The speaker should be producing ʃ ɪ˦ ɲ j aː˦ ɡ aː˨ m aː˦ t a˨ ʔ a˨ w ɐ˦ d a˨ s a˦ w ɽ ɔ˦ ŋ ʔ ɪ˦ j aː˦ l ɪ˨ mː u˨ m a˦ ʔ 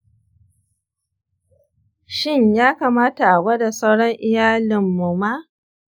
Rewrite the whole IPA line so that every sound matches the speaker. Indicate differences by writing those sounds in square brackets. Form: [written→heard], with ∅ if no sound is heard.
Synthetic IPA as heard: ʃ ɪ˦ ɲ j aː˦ [ɡ→k] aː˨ m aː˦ t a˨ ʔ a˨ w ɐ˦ d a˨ s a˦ w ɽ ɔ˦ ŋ ʔ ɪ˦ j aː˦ l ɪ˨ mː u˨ m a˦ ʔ